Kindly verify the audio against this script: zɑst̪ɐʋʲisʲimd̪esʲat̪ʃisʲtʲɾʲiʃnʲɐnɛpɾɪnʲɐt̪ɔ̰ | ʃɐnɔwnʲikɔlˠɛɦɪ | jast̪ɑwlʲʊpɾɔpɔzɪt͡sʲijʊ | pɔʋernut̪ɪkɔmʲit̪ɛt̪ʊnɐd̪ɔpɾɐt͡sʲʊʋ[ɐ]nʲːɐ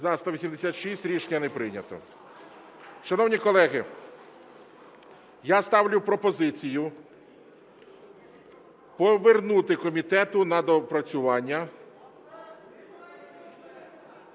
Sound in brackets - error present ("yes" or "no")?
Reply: yes